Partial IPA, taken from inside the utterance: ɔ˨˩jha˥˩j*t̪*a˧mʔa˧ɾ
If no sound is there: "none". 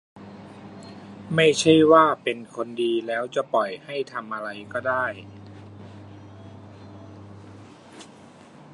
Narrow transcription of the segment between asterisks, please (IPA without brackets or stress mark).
t̪ʰ